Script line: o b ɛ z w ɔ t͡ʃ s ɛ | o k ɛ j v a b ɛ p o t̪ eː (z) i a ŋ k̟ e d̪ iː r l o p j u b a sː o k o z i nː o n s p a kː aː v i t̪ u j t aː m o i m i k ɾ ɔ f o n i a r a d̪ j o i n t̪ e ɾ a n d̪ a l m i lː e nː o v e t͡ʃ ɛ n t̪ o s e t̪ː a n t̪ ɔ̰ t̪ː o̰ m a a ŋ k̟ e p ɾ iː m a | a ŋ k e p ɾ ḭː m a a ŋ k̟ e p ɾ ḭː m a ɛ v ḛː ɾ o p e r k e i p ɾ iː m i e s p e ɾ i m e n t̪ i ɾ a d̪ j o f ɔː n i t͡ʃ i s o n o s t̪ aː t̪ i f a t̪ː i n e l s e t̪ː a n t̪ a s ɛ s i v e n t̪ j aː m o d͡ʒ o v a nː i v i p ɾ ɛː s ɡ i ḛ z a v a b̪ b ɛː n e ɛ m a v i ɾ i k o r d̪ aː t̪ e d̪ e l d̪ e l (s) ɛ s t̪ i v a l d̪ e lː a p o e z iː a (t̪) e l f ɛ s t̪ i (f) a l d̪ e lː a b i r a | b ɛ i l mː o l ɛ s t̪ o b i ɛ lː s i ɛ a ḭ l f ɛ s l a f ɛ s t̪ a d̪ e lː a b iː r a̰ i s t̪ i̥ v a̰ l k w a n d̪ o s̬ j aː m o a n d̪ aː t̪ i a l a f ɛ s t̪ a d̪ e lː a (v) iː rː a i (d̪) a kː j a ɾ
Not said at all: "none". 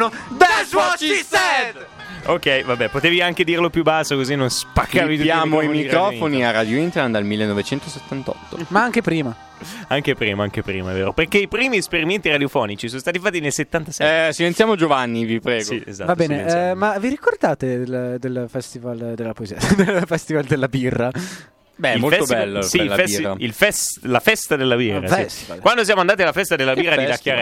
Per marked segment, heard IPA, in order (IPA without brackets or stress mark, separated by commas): v, f, d̪, v, b, d̪